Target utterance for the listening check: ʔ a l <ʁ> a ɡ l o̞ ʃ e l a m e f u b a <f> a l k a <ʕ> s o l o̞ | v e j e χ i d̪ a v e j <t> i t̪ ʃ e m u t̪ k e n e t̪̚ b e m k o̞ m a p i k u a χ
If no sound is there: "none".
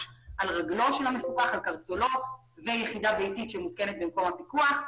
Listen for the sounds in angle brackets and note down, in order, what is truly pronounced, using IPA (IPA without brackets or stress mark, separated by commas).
ʁ, χ, ʁ, t